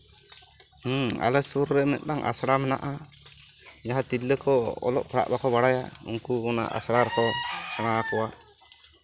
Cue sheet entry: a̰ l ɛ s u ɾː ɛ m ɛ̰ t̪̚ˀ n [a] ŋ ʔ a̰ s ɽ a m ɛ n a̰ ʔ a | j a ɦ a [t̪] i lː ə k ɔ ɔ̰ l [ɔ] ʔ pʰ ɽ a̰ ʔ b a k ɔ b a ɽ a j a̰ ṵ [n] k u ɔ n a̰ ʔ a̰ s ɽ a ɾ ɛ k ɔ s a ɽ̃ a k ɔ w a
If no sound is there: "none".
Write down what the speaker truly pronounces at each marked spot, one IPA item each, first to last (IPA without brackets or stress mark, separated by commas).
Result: a, t̪, ɔ, ŋ